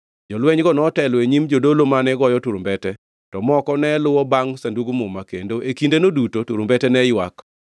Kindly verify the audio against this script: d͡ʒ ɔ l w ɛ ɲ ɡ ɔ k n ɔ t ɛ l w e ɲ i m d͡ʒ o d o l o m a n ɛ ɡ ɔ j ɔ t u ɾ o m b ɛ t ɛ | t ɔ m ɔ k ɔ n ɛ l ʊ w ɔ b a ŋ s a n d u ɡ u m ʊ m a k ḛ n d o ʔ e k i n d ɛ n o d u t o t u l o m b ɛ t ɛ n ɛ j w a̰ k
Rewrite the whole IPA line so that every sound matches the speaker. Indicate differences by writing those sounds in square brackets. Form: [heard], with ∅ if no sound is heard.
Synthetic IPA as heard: d͡ʒ ɔ l w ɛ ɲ ɡ ɔ [∅] n ɔ t ɛ l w e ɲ i m d͡ʒ o d o l o m a n ɛ ɡ ɔ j ɔ t u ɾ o m b ɛ t ɛ | t ɔ m ɔ k ɔ n ɛ l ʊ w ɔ b a ŋ s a n d u ɡ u m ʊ m a k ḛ n d o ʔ e k i n d [e] n o d u t o t u [ɾ] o m b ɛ t ɛ n ɛ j w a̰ k